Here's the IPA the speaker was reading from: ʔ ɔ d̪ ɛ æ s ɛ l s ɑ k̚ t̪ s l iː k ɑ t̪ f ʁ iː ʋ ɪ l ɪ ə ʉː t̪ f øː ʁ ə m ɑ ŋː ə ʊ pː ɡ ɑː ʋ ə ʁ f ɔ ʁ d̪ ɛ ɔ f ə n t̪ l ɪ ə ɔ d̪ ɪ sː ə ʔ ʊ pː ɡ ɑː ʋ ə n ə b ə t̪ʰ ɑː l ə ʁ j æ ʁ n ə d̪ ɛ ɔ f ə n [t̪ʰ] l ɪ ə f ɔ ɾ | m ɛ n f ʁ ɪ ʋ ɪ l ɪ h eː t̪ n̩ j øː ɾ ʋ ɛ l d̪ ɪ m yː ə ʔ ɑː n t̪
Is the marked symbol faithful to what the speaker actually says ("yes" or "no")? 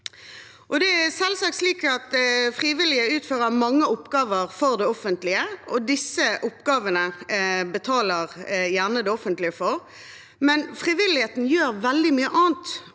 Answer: no